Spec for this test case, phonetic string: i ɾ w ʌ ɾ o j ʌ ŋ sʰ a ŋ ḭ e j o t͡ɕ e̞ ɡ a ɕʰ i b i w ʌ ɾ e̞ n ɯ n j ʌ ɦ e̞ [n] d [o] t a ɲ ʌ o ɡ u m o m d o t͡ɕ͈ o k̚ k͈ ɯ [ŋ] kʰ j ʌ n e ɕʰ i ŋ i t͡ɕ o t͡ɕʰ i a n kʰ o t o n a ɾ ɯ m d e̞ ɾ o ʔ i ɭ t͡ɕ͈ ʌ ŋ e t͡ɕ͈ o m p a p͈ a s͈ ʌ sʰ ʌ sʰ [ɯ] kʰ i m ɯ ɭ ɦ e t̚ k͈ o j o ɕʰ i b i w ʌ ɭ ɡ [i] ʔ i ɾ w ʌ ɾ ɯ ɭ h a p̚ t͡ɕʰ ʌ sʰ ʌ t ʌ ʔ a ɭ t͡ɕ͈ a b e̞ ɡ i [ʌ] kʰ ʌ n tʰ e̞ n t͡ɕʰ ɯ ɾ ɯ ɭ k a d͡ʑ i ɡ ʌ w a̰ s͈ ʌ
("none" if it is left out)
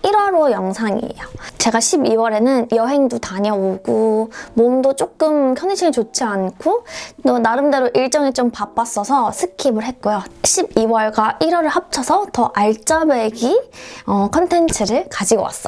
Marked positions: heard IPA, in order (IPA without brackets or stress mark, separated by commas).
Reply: ŋ, u, m, ɯ, a, ʌ